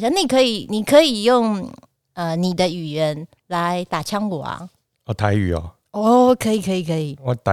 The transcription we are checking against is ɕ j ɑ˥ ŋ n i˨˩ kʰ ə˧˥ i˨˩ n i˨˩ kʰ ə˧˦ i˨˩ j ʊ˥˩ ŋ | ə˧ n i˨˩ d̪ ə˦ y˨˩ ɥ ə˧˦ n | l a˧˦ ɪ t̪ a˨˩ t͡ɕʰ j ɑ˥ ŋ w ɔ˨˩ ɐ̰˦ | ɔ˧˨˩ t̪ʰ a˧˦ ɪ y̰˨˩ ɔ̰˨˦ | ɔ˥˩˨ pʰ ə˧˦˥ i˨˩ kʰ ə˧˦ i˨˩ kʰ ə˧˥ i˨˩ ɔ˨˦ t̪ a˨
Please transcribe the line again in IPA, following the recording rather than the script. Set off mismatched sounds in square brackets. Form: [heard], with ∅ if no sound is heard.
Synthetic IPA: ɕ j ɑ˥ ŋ n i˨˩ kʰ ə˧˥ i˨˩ n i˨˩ kʰ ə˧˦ i˨˩ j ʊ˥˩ ŋ | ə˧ n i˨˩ d̪ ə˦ y˨˩ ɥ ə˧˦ n | l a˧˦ ɪ t̪ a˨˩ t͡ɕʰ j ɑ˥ ŋ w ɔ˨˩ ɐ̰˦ | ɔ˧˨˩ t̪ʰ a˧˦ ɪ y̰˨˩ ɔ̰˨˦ | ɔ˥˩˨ [kʰ] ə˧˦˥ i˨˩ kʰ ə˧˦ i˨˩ kʰ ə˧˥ i˨˩ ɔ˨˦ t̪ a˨